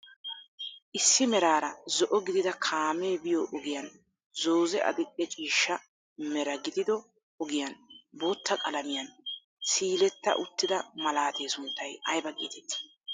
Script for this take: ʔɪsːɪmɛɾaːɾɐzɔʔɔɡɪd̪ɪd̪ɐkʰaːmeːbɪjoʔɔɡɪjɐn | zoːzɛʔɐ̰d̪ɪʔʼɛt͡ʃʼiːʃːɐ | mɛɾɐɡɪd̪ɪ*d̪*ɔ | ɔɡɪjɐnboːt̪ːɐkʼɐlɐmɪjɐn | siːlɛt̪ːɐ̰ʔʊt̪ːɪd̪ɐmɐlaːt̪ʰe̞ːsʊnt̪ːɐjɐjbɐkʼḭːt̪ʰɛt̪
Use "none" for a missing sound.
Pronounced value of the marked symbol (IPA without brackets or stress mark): d̪